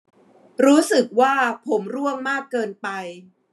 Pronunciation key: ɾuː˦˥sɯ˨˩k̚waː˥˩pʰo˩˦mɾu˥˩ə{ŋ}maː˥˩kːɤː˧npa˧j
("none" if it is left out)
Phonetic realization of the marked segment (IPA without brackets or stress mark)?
ŋ